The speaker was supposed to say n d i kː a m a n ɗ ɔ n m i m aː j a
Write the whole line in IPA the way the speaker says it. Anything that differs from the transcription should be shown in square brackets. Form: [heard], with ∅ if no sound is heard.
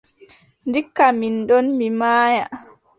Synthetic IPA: n d i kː a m [i] n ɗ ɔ n m i m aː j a